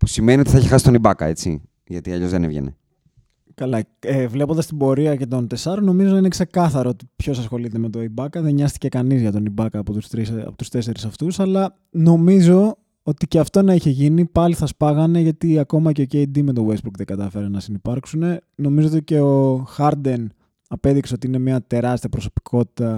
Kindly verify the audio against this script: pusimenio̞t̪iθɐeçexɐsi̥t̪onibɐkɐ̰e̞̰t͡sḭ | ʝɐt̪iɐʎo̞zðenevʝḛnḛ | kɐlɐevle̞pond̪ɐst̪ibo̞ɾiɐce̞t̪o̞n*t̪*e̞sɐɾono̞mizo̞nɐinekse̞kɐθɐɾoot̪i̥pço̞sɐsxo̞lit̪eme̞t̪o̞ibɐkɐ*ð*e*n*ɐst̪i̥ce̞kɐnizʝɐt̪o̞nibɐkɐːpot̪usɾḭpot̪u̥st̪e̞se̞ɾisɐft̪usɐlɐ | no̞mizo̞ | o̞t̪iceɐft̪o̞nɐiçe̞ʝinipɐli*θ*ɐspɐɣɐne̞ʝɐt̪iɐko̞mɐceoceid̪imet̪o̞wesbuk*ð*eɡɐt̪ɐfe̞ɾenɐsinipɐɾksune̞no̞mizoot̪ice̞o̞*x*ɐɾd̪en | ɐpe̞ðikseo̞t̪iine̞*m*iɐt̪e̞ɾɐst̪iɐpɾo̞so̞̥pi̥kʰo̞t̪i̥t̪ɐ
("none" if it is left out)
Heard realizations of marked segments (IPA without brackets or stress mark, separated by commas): t̪, ð, ɲ, θ, ð, x, m